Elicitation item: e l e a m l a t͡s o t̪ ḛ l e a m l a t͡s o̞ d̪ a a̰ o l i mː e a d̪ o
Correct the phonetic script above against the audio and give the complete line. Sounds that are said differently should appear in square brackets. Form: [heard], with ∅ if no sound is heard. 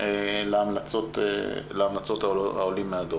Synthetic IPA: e l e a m l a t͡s o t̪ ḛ l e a m l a t͡s o̞ [t̪] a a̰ o l i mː e a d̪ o